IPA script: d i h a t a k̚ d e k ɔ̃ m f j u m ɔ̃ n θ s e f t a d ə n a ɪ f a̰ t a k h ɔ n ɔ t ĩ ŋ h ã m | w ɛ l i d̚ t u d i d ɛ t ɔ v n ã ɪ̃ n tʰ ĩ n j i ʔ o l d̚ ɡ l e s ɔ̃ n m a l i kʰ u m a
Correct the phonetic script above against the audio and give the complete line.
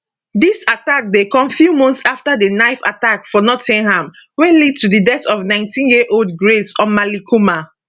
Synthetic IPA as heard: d i s a t a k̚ d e k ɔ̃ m f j u m ɔ̃ n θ s a f t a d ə n a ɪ f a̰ t a k f ɔ n ɔ t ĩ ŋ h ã m | w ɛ l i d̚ t u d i d ɛ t ɔ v n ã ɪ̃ n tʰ ĩ n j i ʔ o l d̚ ɡ ɹ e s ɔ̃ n m a l i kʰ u m a